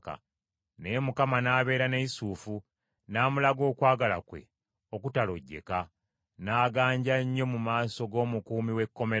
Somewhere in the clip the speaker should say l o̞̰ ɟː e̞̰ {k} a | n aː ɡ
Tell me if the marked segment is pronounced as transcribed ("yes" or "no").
yes